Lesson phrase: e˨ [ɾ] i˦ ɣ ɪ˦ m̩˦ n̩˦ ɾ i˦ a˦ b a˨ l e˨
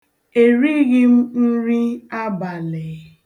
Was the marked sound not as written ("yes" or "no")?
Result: no